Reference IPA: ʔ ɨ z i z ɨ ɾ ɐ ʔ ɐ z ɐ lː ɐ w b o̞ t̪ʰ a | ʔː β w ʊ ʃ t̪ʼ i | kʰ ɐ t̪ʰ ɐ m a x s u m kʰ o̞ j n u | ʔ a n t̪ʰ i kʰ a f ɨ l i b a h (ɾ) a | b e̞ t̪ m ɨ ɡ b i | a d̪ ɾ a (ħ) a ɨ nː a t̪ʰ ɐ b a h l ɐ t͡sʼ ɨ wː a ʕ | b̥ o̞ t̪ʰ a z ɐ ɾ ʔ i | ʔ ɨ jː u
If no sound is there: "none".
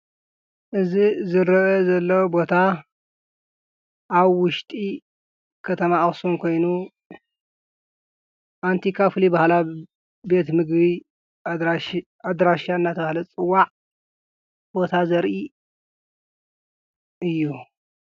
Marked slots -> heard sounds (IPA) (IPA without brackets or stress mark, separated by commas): l, ʃ